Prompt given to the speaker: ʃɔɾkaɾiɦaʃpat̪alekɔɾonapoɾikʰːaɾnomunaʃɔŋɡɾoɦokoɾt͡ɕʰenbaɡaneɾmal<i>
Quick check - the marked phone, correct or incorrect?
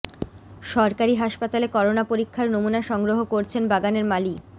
correct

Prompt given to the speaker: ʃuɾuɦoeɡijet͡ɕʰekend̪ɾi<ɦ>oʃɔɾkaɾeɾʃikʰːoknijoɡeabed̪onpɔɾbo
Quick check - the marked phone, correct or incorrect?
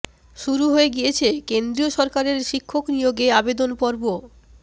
incorrect: none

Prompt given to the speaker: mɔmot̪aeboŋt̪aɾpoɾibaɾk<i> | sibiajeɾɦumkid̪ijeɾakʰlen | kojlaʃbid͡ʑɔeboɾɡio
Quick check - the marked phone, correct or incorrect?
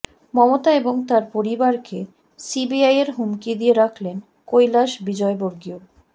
incorrect: e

